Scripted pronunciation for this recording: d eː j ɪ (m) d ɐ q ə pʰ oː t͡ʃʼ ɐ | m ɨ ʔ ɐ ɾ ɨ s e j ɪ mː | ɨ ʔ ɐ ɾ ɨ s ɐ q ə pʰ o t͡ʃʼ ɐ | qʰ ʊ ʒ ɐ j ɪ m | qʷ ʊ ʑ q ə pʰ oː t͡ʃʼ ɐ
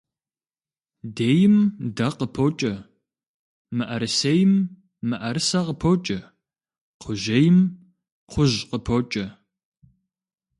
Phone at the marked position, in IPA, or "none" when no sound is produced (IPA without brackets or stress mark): m